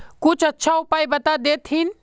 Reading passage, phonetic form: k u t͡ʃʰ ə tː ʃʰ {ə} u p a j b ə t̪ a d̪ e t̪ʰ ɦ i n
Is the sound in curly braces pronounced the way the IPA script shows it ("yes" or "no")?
no